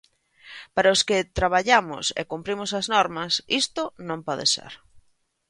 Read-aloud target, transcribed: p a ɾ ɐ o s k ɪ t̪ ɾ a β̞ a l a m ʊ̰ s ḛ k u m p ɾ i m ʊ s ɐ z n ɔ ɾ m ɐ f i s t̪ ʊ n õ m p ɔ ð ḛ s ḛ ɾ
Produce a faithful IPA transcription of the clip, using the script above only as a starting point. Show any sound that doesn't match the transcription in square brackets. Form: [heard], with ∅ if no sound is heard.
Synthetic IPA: p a ɾ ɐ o s k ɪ t̪ ɾ a β̞ a [ʎ] a m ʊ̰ s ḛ k u m p ɾ i m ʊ s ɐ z n ɔ ɾ m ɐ [s] i s t̪ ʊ n õ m p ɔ ð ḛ s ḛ ɾ